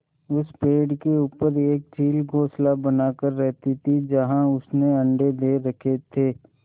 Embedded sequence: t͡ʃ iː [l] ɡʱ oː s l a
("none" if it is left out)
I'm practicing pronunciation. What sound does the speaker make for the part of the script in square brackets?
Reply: l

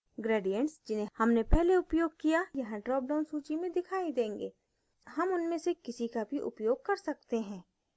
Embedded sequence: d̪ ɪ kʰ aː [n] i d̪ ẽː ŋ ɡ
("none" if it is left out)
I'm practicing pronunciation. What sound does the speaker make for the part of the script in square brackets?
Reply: none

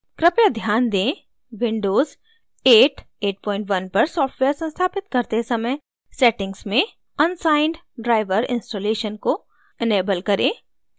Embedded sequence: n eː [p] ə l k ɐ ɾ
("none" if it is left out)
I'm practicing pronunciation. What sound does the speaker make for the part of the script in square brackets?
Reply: b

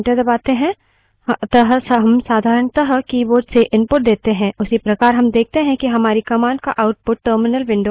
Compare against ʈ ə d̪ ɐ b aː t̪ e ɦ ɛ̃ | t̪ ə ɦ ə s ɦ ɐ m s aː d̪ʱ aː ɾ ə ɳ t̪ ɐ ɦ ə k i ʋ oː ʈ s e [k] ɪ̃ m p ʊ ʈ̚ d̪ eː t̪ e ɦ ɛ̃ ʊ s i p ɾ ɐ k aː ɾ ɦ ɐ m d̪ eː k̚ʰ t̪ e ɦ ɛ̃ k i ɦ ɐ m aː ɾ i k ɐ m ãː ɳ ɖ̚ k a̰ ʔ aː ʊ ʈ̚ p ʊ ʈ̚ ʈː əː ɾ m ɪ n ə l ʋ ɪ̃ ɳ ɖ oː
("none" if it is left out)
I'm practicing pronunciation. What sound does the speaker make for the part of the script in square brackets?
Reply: ʔ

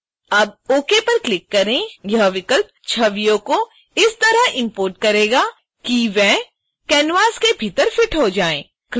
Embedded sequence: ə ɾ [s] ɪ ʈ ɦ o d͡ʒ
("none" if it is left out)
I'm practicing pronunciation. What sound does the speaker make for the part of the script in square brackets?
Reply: f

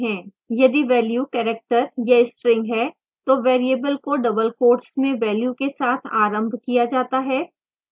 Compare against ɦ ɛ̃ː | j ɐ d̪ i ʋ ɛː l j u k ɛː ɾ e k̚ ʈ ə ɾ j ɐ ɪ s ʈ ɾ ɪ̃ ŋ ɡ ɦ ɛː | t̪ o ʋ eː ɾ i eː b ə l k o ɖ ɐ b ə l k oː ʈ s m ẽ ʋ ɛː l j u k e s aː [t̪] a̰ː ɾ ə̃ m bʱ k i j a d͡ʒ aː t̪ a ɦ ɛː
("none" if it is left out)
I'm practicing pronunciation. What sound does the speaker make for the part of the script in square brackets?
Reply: t̪ʰ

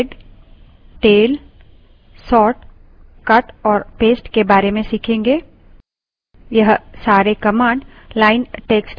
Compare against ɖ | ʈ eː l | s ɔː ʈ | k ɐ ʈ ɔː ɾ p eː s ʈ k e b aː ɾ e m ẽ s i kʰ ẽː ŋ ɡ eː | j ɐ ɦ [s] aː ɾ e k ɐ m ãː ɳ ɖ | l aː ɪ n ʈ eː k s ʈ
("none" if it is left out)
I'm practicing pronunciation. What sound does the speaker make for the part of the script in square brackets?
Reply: s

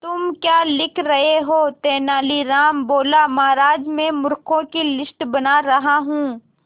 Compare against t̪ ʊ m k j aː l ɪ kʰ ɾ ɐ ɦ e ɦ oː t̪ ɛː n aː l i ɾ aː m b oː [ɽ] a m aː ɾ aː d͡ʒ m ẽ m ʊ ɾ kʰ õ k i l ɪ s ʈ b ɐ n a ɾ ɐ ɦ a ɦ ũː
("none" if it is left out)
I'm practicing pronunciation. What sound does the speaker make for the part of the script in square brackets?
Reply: l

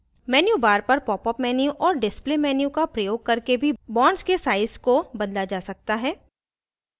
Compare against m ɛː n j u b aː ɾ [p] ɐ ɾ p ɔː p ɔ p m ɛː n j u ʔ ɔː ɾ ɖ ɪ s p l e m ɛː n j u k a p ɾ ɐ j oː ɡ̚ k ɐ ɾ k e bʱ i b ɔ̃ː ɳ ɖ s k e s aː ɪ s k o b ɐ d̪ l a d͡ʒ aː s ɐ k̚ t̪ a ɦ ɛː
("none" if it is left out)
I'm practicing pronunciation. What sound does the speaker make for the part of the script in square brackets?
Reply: p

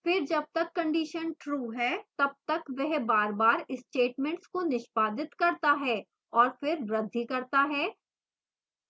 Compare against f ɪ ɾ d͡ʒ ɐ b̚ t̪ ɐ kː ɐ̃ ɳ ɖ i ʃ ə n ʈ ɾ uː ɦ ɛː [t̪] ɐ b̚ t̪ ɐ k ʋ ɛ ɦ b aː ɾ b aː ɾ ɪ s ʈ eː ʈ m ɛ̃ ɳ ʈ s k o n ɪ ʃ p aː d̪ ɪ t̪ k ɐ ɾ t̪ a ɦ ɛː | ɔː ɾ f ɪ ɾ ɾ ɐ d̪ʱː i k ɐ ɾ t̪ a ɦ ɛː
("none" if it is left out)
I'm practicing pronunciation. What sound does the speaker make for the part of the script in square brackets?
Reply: t̪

